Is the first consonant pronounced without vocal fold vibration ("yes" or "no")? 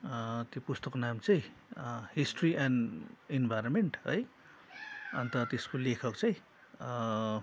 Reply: yes